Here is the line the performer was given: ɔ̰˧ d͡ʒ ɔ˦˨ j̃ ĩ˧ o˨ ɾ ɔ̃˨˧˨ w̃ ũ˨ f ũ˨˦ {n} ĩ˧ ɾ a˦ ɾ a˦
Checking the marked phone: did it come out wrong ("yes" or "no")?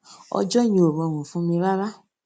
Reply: yes